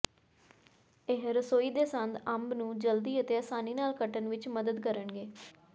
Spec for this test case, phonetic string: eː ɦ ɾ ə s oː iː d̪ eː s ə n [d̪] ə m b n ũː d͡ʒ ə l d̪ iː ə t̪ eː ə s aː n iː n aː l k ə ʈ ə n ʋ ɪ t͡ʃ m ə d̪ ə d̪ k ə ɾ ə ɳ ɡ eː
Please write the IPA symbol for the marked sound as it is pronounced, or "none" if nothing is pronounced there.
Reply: d̪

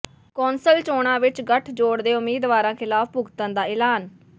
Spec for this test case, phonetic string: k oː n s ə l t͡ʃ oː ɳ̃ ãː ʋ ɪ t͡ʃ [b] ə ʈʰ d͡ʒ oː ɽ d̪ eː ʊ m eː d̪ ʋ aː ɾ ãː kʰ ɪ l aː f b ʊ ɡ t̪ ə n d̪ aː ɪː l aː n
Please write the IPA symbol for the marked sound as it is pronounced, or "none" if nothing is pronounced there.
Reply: ɡ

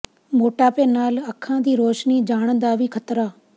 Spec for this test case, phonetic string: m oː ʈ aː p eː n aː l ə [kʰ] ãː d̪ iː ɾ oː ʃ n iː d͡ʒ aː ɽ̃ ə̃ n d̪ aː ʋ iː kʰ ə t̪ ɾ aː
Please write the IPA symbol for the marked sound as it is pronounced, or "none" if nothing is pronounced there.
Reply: kʰ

